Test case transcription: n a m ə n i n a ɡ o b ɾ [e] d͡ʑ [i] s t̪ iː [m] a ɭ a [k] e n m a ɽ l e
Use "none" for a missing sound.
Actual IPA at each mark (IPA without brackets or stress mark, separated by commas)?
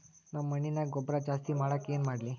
a, a, m, k